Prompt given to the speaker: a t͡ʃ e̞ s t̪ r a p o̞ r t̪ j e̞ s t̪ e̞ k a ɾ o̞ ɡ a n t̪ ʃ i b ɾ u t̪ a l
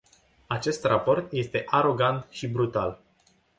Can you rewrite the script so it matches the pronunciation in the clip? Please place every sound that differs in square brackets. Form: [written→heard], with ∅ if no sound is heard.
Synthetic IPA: a t͡ʃ e̞ s t̪ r a p o̞ r t̪ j e̞ s t̪ e̞ [k→ʔ] a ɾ o̞ ɡ a n t̪ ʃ i b ɾ u t̪ a l